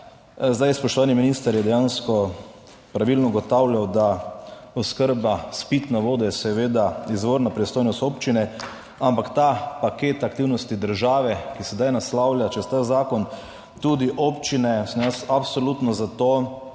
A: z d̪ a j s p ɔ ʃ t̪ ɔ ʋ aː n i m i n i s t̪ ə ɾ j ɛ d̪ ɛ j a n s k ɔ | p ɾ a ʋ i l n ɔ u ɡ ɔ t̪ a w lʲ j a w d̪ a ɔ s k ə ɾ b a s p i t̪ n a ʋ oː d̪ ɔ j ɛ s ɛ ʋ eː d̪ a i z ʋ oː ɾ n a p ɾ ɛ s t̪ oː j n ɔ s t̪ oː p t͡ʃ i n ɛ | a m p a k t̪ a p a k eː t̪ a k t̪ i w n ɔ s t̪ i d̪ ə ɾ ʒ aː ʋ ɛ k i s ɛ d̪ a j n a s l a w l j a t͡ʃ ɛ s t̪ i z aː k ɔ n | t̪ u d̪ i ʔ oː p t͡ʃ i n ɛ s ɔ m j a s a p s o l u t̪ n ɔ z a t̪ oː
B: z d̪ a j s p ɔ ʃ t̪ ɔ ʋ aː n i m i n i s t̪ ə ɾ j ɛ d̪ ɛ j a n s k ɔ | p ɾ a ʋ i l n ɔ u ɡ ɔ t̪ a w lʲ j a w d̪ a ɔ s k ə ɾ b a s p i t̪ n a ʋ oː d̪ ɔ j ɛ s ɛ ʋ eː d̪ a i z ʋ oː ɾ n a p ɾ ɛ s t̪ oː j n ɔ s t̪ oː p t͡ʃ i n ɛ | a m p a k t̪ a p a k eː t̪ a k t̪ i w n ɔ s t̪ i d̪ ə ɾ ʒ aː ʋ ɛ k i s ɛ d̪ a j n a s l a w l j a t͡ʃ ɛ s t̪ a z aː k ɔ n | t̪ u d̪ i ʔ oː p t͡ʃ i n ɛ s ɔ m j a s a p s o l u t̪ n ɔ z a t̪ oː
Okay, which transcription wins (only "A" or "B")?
B